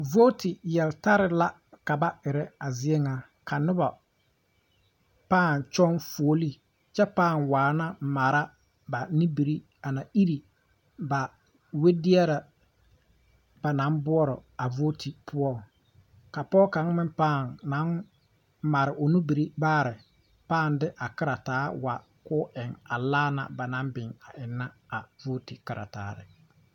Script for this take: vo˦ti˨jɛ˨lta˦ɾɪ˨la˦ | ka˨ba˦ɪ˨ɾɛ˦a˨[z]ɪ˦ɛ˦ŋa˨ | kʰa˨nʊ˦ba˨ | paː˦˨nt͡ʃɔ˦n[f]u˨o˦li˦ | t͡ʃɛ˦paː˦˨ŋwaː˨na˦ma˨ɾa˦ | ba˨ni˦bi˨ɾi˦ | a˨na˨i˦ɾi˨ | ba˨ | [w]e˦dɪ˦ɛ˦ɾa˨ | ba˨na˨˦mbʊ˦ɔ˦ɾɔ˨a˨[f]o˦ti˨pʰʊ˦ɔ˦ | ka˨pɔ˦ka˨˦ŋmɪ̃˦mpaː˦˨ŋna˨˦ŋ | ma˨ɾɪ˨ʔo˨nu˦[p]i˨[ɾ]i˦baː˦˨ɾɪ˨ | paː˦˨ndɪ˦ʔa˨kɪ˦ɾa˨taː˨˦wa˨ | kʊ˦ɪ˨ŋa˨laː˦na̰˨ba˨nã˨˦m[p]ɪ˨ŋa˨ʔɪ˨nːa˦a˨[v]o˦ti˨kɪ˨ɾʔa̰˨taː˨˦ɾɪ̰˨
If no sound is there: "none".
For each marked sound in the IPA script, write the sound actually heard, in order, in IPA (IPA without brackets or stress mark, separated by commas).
z, f, w, v, b, ɾ, b, v